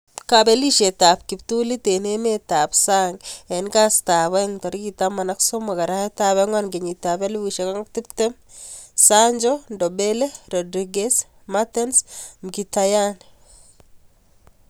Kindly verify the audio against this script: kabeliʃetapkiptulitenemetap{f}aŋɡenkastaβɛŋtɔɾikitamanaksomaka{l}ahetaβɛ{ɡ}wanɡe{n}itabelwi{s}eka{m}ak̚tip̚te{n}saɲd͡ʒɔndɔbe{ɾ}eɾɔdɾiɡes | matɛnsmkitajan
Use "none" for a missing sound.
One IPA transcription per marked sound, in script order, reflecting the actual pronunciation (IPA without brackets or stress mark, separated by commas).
s, ɾ, ŋ, ɲ, ʃ, ŋ, m, l